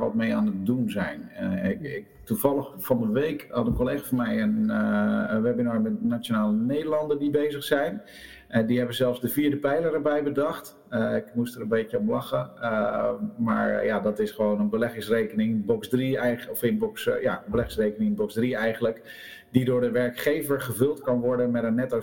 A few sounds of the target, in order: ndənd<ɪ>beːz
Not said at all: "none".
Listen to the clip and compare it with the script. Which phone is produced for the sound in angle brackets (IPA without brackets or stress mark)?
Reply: i